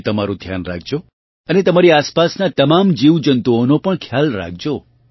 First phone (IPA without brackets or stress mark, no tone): t̪